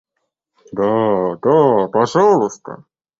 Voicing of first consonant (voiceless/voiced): voiced